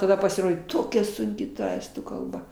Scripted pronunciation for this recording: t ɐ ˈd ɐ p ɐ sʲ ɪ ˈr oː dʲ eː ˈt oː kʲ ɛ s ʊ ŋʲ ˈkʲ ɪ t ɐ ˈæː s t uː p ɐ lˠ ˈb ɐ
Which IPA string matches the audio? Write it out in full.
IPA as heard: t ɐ ˈd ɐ p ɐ sʲ ɪ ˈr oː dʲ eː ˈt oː kʲ ɛ s ʊ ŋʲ ˈkʲ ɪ t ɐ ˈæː s t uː k ɐ lˠ ˈb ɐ